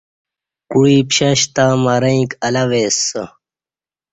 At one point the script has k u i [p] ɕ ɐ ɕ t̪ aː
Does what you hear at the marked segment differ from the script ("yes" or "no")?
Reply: no